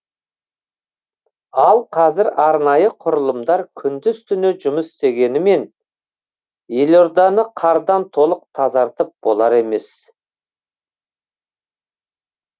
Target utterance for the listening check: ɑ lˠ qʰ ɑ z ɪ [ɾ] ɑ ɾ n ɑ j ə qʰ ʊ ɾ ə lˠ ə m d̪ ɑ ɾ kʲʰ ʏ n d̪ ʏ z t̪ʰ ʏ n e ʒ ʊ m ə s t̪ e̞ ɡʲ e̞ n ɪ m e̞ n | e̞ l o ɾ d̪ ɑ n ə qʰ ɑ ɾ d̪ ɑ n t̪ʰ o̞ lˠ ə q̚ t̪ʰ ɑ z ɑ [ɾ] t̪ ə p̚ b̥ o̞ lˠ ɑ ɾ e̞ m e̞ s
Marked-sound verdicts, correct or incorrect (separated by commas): correct, correct